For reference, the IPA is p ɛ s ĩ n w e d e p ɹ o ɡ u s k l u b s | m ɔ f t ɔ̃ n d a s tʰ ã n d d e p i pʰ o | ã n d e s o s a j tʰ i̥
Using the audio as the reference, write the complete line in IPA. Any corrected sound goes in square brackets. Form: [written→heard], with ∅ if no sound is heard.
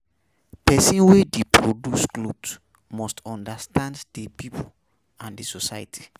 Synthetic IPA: p ɛ s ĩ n w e d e p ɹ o [ɡ→d] u s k l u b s | m ɔ [f→s] t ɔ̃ n d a s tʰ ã n d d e p i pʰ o | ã n d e s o s a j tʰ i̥